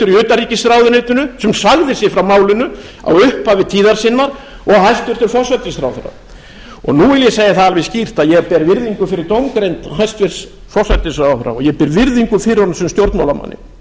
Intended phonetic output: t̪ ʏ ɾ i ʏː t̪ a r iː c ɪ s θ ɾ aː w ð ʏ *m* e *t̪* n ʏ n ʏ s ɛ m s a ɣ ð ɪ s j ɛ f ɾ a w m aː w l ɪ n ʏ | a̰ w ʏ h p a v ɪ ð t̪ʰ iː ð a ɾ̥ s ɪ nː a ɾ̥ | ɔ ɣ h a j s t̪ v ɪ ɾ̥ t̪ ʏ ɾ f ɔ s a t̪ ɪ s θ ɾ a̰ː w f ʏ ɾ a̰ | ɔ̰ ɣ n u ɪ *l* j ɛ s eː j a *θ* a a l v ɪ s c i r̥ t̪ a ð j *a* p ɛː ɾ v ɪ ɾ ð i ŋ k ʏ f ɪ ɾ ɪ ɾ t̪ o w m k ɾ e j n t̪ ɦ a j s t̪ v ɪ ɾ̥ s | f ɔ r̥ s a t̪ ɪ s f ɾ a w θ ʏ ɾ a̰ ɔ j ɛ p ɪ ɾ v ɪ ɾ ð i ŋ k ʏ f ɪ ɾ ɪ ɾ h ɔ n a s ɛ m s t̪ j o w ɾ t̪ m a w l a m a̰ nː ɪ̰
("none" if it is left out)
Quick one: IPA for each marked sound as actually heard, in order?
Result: n, t̪, l, θ, ɛ

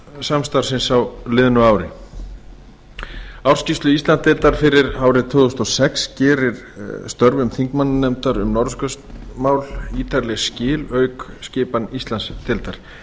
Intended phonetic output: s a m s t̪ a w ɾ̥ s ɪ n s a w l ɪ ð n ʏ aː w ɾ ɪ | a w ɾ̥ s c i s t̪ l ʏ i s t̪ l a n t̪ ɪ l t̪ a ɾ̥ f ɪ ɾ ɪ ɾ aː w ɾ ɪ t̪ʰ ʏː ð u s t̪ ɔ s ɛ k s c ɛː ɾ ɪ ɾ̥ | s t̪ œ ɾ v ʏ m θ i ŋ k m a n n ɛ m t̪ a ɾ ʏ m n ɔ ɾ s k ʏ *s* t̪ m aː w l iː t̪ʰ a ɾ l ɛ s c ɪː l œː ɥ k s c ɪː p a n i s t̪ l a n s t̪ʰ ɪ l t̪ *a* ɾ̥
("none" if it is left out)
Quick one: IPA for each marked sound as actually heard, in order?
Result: s, a

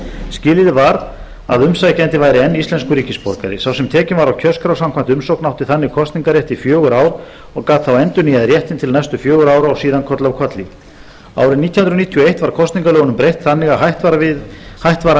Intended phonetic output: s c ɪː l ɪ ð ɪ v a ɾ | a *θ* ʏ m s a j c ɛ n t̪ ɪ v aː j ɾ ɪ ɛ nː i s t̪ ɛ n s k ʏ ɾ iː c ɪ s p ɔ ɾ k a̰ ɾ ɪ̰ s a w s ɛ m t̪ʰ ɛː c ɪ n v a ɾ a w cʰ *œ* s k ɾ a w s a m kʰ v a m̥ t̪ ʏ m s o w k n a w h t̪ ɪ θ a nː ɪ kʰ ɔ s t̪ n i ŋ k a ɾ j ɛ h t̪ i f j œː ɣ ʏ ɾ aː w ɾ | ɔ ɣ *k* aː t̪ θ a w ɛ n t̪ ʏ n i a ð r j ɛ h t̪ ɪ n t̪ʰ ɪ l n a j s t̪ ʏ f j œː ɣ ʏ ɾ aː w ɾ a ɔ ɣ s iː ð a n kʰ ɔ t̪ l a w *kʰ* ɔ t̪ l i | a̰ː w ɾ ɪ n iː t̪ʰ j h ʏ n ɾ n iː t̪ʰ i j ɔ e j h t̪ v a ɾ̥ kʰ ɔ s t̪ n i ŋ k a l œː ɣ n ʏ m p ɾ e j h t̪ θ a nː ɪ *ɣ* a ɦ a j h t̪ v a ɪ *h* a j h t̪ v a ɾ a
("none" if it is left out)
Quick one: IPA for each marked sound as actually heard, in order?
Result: ð, œ, k, kʰ, ɣ, h

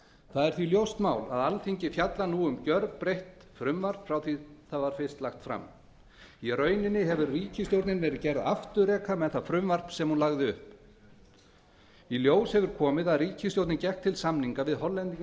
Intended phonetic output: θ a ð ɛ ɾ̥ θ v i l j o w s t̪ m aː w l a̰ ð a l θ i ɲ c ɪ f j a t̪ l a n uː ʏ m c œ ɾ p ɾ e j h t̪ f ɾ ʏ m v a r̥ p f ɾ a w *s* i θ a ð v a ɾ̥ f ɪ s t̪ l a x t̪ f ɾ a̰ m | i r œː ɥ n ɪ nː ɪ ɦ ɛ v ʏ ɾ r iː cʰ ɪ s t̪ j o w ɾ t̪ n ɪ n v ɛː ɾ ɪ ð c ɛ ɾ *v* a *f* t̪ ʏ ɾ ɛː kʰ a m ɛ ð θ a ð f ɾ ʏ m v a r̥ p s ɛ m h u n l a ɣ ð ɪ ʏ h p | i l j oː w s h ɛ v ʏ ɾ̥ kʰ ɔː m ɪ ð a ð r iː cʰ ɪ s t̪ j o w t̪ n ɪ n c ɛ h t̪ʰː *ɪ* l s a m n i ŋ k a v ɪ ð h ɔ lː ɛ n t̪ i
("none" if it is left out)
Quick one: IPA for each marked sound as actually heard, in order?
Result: θ, ð, f, ɪ

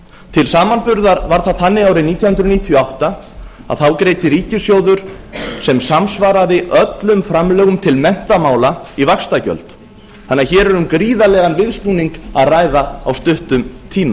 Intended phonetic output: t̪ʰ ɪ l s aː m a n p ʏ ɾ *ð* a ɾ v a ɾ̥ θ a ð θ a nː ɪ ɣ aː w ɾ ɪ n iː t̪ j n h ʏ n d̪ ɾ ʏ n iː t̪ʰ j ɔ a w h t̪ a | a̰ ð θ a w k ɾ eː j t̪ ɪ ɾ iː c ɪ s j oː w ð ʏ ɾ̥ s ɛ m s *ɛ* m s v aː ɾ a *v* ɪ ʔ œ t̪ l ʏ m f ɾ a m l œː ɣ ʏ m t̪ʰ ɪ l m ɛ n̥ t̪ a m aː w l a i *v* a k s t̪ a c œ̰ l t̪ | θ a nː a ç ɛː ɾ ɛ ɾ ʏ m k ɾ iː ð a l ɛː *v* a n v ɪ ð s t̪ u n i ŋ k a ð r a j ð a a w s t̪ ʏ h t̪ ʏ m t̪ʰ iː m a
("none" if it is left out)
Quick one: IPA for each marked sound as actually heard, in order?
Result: ð, a, ð, v, ɣ

